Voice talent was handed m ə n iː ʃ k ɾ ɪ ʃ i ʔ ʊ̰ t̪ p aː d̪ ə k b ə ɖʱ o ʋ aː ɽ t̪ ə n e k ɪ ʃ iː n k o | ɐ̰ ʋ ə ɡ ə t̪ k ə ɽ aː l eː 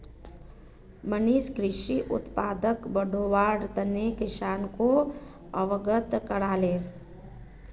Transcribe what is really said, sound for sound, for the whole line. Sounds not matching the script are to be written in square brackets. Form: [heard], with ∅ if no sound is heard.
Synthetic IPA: m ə n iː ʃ k ɾ ɪ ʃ i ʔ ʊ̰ t̪ p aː d̪ ə k b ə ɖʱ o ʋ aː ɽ t̪ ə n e k ɪ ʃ [aː] n k o | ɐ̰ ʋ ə ɡ ə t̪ k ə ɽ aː l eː

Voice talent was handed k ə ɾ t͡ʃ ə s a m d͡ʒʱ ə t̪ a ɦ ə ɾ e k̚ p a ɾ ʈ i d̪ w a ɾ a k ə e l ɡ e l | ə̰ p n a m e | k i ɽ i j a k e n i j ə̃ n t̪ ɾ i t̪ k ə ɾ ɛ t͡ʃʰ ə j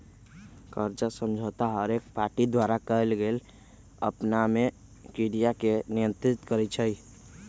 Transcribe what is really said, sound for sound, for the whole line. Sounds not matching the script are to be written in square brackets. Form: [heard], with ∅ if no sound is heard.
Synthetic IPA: k ə ɾ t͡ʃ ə s [ə] m d͡ʒʱ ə t̪ a ɦ ə ɾ e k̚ p a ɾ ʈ i d̪ w a ɾ a k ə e l ɡ e l | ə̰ p n a m e | k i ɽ i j a k e n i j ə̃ n t̪ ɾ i t̪ k ə ɾ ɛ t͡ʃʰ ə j

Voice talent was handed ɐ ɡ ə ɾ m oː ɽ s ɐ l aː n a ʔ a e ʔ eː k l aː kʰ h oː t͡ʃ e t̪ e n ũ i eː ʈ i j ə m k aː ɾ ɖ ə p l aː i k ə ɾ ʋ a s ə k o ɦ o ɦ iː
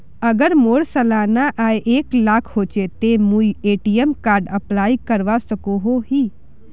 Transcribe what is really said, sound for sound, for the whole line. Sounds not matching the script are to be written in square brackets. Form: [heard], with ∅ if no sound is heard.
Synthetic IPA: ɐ ɡ ə ɾ m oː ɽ s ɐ l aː n a ʔ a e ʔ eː k l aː kʰ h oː t͡ʃ e t̪ e [m] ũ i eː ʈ i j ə m k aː ɾ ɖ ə p l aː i k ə ɾ ʋ a s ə k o ɦ o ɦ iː

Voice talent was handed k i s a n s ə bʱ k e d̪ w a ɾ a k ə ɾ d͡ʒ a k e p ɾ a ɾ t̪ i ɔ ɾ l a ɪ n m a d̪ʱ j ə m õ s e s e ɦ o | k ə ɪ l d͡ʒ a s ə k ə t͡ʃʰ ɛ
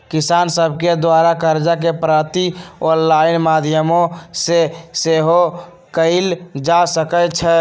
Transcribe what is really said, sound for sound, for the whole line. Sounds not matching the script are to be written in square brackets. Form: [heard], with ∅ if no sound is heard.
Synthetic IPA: k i s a n s ə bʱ k e d̪ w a ɾ a k ə ɾ d͡ʒ a k e p ɾ a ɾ t̪ i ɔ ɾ l a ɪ n m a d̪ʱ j ə m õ s e s e ɦ o | k ə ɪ l d͡ʒ a s ə k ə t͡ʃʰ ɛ

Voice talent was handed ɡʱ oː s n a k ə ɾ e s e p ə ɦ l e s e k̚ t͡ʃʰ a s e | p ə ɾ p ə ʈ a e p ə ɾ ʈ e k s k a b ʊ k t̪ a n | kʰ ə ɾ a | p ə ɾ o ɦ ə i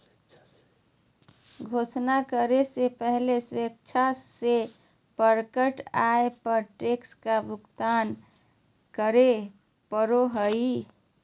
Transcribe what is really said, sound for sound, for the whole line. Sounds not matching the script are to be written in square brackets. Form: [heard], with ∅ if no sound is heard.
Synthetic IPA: ɡʱ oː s n a k ə ɾ e s e p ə ɦ l e s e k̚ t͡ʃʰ a s e | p ə ɾ [k] ə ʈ a e p ə ɾ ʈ e k s k a b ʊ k t̪ a n | [k] ə ɾ [e] | p ə ɾ o ɦ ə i

